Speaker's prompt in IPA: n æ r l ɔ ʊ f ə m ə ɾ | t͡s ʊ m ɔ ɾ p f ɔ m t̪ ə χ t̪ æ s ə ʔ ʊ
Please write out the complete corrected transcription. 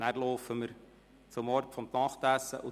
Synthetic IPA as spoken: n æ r l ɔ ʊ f ə m ə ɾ | t͡s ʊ m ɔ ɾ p f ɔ m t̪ ɑ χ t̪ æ s ə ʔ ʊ